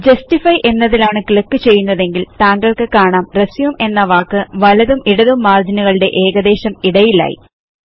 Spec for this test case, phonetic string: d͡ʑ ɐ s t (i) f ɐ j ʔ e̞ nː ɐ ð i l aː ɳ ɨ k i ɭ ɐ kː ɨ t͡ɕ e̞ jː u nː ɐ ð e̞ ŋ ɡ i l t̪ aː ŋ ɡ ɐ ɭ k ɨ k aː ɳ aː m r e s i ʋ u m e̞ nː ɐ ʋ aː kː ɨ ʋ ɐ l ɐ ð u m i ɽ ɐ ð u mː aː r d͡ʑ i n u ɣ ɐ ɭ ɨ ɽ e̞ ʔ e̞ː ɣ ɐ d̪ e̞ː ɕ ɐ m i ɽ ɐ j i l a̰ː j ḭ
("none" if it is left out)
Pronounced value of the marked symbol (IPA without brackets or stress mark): i